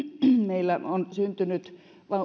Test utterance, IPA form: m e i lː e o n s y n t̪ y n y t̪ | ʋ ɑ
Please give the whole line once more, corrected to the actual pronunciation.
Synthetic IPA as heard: m e i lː æ o n s y n t̪ y n y t̪ | ʋ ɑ